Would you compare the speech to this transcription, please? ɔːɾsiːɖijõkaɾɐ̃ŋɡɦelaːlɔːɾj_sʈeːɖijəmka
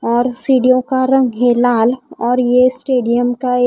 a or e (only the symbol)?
e